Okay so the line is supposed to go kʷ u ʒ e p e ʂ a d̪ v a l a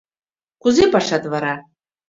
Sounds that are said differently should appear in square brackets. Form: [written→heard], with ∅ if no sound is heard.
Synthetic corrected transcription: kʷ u [ʒ→z] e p [e→a] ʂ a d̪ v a [l→ɾ] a

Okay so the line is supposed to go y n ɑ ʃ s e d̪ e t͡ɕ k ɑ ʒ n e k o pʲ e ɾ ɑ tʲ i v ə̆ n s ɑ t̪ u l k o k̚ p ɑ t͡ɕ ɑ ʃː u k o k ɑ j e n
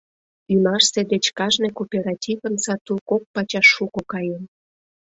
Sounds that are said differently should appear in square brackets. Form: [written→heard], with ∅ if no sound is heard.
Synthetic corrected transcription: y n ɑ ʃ s e d̪ e t͡ɕ k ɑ ʒ n e k o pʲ e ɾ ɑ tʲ i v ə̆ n s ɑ t̪ u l k o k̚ p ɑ t͡ɕ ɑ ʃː u k o k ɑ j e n

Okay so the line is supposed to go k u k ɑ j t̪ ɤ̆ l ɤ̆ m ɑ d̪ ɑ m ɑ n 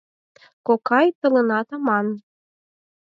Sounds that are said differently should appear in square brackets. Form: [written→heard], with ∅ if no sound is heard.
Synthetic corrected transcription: k [u→o] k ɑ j t̪ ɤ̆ l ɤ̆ [m→n] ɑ [d̪→t̪] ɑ m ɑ n

